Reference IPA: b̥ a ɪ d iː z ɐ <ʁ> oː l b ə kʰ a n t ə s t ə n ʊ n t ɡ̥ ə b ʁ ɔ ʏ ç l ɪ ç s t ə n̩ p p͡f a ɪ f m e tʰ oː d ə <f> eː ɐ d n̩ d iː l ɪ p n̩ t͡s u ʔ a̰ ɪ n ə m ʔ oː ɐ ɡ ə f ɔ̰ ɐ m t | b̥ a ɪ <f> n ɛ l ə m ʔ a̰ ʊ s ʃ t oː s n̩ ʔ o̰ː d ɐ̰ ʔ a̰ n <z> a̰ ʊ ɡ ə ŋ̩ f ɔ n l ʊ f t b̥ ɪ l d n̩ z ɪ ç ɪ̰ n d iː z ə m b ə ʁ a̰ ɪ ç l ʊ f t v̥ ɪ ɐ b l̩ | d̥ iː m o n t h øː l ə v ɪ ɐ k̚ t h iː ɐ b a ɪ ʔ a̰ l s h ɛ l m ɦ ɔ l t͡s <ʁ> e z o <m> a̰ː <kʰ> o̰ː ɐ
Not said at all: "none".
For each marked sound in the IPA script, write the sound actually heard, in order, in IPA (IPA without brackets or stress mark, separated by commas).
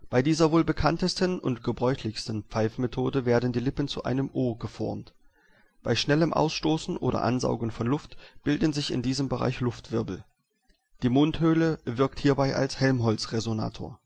v, v, ʃ, z, ʁ, n, tʰ